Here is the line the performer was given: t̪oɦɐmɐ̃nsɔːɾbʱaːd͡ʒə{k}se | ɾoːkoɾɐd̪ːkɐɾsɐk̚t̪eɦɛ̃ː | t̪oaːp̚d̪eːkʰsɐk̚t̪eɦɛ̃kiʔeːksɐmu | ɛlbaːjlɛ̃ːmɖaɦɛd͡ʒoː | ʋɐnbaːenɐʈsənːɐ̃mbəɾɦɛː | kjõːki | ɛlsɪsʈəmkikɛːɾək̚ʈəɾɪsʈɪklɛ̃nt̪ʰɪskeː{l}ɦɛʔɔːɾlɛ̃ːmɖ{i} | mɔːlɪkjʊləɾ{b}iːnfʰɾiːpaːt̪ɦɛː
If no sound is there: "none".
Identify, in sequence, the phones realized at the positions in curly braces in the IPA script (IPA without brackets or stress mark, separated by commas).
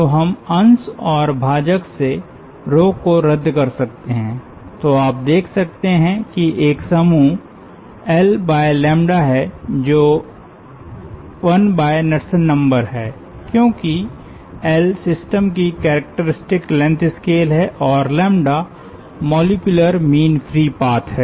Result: k, l, a, m